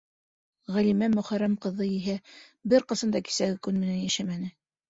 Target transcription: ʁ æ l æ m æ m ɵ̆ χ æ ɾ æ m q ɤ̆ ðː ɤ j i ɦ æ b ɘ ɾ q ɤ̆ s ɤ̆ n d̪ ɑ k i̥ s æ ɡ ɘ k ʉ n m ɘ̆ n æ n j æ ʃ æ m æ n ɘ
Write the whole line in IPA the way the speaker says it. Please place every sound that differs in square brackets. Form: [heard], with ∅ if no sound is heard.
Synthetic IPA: ʁ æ l [i] m æ m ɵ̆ χ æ ɾ æ m q ɤ̆ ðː ɤ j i ɦ æ b ɘ ɾ q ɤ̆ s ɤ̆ n d̪ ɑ k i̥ s æ ɡ ɘ k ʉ n m ɘ̆ n æ n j æ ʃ æ m æ n ɘ